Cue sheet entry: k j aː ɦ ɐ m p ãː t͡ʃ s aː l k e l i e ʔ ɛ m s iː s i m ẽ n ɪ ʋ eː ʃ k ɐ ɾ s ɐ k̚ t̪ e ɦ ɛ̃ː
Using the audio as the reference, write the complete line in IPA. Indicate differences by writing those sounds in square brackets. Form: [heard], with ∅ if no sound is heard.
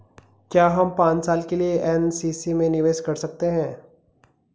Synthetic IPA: k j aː ɦ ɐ m p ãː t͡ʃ s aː l k e l i e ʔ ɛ [n] s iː s i m ẽ n ɪ ʋ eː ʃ k ɐ ɾ s ɐ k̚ t̪ e ɦ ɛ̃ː